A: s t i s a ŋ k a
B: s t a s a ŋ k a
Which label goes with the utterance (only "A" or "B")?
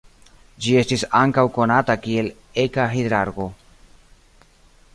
A